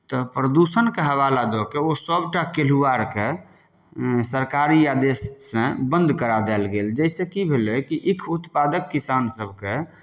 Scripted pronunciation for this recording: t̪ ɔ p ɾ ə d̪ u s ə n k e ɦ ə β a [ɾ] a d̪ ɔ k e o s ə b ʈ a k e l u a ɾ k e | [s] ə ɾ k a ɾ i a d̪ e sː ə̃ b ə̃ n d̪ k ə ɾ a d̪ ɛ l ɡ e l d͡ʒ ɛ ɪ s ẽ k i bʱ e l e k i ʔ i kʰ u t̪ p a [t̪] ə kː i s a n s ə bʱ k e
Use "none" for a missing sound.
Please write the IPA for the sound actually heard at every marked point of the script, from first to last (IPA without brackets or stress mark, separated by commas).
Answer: l, s, d̪